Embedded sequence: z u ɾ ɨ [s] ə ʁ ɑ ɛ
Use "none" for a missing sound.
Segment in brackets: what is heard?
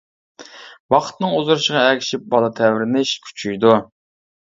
ʃ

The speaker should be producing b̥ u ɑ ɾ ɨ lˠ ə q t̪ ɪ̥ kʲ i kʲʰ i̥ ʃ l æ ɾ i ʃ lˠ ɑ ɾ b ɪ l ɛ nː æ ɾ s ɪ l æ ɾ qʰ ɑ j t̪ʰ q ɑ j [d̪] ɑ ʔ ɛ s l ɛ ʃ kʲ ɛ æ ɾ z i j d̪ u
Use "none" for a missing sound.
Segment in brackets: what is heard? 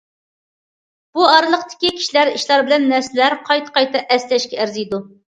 t̪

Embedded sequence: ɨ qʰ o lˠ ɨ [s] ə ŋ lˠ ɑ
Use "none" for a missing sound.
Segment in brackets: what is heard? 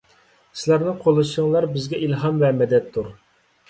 ʃ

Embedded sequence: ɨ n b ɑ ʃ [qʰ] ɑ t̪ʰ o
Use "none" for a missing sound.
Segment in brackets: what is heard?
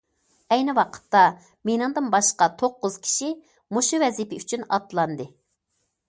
q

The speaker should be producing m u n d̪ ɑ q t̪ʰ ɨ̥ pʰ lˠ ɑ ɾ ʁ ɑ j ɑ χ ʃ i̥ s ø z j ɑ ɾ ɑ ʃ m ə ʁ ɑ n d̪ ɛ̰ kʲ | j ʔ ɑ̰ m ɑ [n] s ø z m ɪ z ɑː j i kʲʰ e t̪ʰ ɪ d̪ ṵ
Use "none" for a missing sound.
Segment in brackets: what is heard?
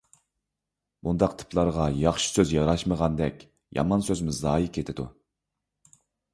n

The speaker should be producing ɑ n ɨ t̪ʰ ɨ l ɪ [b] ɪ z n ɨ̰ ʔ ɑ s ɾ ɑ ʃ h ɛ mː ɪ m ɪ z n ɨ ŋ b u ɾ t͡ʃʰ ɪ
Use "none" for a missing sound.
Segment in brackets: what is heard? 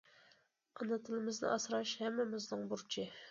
m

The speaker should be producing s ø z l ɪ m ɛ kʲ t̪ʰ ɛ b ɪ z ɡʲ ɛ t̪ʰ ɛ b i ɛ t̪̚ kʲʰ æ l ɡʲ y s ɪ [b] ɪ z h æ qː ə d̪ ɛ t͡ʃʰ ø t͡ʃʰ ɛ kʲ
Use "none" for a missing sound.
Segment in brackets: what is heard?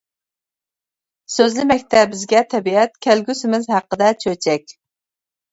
m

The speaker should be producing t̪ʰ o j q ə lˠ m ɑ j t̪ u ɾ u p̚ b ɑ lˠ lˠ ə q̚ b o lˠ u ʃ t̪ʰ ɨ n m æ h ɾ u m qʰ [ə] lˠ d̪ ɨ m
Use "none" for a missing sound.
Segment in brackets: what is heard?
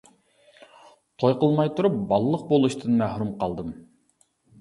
ɑ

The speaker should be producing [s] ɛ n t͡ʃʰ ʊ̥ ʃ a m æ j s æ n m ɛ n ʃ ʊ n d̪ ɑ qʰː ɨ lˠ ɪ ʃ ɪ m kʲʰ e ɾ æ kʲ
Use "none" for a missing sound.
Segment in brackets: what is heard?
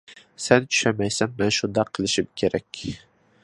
s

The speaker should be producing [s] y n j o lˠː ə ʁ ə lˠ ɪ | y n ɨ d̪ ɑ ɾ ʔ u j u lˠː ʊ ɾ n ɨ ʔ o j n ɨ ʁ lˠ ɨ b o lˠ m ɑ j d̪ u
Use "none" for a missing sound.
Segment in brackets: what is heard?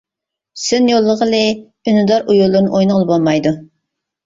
s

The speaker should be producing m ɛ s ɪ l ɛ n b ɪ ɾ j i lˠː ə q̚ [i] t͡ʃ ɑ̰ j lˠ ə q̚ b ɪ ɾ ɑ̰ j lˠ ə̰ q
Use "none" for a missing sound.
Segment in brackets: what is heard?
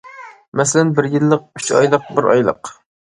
y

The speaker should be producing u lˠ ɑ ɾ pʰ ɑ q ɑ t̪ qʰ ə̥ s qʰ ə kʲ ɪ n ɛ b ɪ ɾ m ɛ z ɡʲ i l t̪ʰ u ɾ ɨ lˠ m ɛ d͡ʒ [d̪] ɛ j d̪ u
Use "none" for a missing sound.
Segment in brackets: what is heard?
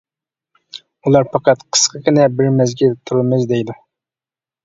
d̪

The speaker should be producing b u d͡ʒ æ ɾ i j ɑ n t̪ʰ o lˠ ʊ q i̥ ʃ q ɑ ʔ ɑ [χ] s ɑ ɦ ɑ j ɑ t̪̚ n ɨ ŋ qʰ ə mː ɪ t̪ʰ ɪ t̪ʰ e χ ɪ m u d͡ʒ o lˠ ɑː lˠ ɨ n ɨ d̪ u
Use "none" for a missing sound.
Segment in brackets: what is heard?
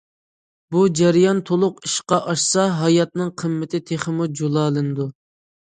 ʃ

